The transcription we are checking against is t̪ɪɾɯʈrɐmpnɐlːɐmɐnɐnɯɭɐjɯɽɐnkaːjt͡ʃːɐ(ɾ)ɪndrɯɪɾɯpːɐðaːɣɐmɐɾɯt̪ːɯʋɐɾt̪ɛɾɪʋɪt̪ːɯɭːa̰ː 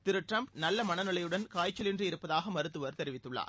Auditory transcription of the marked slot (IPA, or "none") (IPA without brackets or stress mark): l